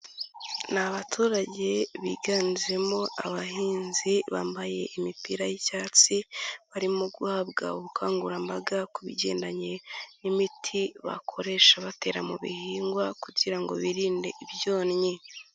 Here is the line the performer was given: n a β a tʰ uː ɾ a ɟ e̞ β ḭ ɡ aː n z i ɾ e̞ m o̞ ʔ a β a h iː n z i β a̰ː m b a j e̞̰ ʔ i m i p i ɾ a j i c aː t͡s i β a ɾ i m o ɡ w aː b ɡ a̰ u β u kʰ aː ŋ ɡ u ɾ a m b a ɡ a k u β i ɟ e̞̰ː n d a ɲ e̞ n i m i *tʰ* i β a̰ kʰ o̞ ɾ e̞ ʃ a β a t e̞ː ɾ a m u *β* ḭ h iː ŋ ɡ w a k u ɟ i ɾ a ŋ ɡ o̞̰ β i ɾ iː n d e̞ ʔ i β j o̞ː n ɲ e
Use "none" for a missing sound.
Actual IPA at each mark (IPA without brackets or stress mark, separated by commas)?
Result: tʰ, β